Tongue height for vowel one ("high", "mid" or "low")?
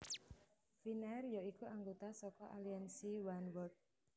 high